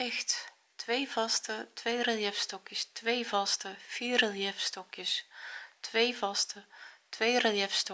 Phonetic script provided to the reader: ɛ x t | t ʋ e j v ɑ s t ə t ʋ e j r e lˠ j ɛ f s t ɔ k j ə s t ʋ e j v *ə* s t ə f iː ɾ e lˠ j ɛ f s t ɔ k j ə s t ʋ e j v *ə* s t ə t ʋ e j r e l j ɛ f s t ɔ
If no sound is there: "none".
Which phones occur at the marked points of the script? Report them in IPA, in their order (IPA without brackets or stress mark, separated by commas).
ɑ, ɑ